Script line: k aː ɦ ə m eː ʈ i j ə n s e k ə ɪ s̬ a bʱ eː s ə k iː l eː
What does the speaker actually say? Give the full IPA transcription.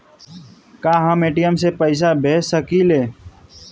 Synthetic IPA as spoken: k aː ɦ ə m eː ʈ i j ə m s e p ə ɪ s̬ a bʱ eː s ə k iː l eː

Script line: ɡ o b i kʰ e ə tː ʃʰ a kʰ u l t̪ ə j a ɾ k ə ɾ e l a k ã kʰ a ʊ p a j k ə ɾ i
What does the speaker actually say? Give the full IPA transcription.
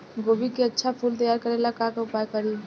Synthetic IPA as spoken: ɡ o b i k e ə tː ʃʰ a pʰ u l t̪ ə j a ɾ k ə ɾ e l a k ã k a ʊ p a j k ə ɾ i

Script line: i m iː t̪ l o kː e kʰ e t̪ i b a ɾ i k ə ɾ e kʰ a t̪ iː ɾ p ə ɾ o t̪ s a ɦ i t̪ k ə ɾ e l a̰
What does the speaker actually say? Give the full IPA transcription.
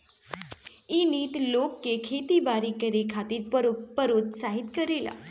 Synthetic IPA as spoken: i n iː t̪ l o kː e kʰ e t̪ i b a ɾ i k ə ɾ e kʰ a t̪ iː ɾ p ə ɾ o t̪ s a ɦ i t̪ k ə ɾ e l a̰

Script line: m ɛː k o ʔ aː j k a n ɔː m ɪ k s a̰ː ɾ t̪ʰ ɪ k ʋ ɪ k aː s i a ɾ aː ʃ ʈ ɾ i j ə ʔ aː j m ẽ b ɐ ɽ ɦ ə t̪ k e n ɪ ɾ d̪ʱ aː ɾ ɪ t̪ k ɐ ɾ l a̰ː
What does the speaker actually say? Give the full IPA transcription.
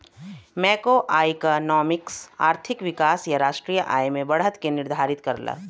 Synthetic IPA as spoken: m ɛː k o ʔ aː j k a n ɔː m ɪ k s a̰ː ɾ t̪ʰ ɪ k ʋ ɪ k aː s j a ɾ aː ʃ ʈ ɾ i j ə ʔ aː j m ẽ b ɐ ɽ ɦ ə t̪ k e n ɪ ɾ d̪ʱ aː ɾ ɪ t̪ k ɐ ɾ l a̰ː

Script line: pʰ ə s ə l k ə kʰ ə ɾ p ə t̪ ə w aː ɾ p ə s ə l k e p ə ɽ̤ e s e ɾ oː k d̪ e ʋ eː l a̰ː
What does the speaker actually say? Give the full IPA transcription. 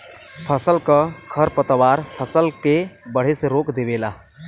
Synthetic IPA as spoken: pʰ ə s ə l k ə kʰ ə ɾ p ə t̪ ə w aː ɾ pʰ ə s ə l k e b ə ɽ̤ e s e ɾ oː k d̪ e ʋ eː l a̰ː

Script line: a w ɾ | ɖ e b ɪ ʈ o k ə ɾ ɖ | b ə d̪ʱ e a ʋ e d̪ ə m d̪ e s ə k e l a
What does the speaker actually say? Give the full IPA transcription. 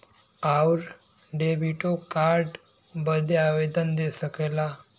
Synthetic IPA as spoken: a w ɾ | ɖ e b i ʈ o k a ɾ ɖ | b ə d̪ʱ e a ʋ e d̪ ə n d̪ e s ə k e l a

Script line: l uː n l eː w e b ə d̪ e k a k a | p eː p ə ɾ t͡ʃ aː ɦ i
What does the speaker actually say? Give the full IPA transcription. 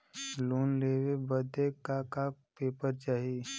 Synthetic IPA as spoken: l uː n l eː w e b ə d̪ e k a k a | p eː p ə ɾ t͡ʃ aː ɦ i

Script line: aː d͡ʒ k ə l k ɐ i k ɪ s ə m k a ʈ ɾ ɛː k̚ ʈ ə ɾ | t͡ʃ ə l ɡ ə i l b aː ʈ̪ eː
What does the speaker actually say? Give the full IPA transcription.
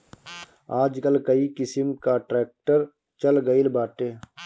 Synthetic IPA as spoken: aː d͡ʒ k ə l k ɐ i k ɪ s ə m k a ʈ ɾ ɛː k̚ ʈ ə ɾ | t͡ʃ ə l ɡ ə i l b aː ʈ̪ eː

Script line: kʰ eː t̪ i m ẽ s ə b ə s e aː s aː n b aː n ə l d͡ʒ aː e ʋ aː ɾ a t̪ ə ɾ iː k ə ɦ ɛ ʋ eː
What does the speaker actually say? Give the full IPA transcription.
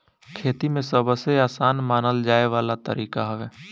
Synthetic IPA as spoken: kʰ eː t̪ i m ẽ s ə b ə s e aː s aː n m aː n ə l d͡ʒ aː e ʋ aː l a t̪ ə ɾ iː k a ɦ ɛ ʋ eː

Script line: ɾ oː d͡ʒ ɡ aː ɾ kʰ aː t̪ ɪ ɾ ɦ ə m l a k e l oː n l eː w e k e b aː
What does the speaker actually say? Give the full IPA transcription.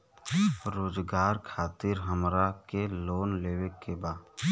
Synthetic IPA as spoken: ɾ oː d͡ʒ ɡ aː ɾ kʰ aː t̪ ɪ ɾ ɦ ə m ɾ a k e l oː n l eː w e k e b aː

